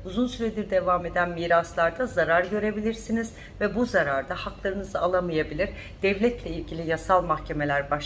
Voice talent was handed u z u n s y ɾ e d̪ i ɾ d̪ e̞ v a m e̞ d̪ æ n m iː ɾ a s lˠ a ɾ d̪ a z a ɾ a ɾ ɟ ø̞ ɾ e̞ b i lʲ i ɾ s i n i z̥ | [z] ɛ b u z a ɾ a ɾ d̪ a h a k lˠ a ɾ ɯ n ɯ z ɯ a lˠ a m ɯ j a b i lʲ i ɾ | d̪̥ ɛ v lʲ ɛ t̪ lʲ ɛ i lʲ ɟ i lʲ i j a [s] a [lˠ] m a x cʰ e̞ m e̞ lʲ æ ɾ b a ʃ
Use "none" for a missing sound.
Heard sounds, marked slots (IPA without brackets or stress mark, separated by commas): v, s, lˠ